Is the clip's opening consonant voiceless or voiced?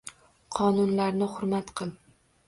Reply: voiceless